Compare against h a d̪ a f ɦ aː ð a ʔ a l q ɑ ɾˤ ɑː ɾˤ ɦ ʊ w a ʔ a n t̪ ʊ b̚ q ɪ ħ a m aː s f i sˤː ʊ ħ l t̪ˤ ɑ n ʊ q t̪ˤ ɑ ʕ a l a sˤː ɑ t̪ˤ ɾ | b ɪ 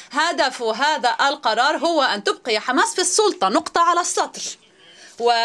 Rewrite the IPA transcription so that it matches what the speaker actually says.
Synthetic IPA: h a d̪ a f ɦ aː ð a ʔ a l q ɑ ɾˤ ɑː ɾˤ ɦ ʊ w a ʔ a n t̪ ʊ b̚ q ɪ ħ a m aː s f i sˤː ʊ l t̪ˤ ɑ n ʊ q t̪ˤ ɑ ʕ a l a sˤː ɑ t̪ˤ ɾ | w ɪ